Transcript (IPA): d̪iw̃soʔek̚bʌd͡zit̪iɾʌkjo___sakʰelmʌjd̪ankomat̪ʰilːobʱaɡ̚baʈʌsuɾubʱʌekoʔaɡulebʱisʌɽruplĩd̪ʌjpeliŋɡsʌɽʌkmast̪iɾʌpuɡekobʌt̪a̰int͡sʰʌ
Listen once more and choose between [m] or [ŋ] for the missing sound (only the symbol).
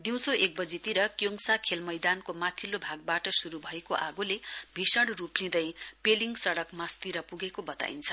ŋ